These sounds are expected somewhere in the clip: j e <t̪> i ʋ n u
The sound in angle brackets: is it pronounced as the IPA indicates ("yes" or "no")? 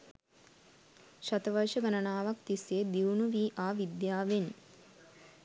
no